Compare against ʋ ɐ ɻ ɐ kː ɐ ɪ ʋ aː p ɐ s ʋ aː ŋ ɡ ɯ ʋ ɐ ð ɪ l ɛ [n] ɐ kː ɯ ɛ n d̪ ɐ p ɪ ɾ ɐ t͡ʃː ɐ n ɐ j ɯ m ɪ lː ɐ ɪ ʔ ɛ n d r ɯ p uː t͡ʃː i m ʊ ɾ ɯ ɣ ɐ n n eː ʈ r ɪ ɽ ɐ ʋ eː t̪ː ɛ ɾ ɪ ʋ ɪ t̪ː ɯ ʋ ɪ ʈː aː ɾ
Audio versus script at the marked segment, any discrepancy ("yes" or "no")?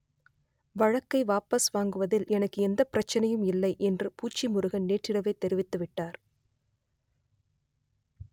no